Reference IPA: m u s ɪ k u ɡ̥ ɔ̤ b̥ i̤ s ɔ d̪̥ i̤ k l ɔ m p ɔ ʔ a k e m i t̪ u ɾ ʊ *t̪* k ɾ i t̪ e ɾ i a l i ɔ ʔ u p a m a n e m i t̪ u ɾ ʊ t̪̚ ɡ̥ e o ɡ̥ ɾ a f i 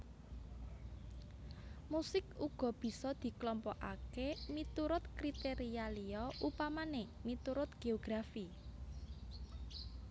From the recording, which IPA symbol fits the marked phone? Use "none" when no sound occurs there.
t̪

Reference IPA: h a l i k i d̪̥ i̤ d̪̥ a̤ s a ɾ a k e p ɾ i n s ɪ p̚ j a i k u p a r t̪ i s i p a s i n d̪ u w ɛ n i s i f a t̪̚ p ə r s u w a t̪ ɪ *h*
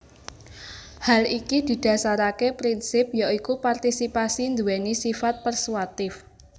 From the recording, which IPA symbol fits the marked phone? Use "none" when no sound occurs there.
f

